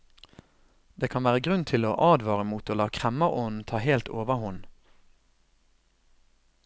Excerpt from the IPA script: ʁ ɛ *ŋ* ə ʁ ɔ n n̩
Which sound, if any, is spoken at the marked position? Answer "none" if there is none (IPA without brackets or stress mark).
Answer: m